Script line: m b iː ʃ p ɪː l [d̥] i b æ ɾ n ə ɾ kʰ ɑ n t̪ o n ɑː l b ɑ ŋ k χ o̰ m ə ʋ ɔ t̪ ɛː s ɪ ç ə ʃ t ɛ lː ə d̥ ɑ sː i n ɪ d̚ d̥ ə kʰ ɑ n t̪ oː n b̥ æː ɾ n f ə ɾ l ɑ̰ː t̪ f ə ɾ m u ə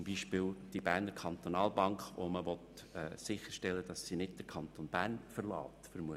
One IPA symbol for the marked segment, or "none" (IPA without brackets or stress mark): d̥